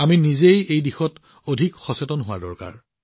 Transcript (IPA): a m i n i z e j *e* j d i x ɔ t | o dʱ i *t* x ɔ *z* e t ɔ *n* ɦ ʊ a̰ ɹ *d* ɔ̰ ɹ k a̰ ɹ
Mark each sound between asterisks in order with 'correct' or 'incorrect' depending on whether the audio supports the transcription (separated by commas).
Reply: correct, incorrect, incorrect, correct, correct